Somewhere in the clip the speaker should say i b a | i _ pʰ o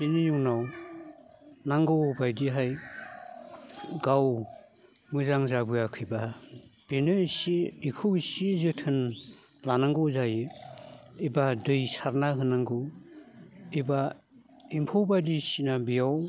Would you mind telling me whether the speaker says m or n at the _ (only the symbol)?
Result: m